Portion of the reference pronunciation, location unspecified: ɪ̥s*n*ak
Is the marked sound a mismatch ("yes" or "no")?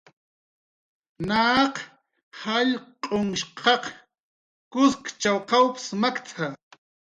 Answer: yes